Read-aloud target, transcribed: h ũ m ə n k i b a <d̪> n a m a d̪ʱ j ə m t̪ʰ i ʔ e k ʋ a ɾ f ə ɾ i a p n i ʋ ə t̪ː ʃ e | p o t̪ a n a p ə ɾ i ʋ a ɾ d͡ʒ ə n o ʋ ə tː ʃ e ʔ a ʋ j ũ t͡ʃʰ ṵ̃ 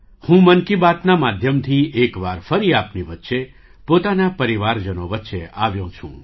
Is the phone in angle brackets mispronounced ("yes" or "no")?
yes